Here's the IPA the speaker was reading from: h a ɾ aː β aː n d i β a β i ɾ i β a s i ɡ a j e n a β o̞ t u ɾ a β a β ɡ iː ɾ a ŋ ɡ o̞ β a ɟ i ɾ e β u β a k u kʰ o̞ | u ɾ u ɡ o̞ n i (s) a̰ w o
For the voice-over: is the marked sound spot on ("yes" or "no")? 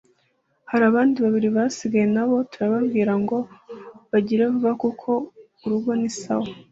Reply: yes